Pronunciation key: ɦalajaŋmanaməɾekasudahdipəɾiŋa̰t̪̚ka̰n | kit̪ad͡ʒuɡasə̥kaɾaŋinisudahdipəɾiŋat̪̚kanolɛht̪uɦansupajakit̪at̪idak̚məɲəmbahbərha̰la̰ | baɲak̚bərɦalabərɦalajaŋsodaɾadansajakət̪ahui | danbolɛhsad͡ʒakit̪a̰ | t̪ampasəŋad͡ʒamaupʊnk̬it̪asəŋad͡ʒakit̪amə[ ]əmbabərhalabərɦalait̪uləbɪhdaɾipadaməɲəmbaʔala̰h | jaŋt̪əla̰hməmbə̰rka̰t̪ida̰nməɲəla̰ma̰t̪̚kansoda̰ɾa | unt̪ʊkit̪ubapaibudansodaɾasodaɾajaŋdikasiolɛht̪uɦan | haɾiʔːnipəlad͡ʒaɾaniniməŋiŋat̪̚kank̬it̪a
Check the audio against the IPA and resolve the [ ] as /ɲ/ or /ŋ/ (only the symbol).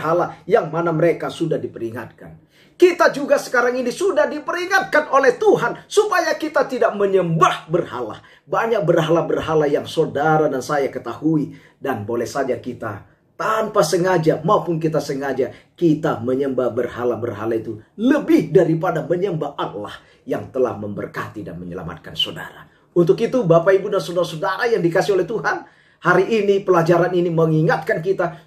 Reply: ɲ